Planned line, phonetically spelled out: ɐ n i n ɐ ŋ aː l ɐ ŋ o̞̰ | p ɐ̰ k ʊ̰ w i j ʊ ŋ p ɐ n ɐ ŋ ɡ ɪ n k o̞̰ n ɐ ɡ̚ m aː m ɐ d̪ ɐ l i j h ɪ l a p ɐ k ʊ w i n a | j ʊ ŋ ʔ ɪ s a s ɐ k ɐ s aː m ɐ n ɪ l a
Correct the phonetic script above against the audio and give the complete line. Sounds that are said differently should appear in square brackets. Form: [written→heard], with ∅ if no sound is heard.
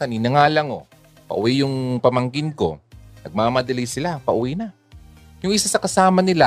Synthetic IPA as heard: ɐ n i n ɐ ŋ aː l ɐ ŋ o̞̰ | p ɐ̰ [k→ʔ] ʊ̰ w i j ʊ ŋ p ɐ [n→m] ɐ ŋ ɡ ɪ n k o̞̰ n ɐ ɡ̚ m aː m ɐ d̪ ɐ l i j [h→s] ɪ l a p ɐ [k→ʔ] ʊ w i n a | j ʊ ŋ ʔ ɪ s a s ɐ k ɐ s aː m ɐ n ɪ l a